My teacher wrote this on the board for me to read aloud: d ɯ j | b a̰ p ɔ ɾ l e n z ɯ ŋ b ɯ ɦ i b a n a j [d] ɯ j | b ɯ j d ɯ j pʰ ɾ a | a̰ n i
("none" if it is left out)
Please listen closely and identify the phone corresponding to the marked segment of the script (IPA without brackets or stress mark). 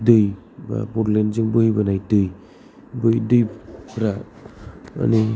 d